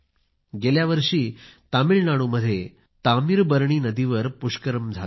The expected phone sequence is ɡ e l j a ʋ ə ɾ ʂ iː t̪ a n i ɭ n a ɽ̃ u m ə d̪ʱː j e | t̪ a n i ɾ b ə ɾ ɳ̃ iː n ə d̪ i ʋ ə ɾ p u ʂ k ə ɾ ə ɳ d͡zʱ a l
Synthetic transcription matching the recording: ɡ e l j a ʋ ə ɾ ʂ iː t̪ a m i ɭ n a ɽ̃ u m ə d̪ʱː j e | t̪ a m i ɾ b ə ɾ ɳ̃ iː n ə d̪ i ʋ ə ɾ p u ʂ k ə ɾ ə m d͡zʱ a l